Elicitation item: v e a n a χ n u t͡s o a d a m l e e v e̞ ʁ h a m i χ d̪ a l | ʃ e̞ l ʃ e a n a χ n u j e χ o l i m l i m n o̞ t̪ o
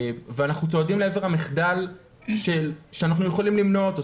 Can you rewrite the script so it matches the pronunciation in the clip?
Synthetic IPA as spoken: v e a n a χ n u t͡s o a d i m l e e v e̞ ʁ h a m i χ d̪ a l | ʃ e̞ l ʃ e a n a χ n u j e χ o l i m l i m n o̞ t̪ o